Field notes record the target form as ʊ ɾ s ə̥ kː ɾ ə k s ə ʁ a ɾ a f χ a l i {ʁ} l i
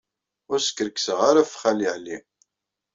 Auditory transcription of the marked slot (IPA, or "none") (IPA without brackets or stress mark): ʕ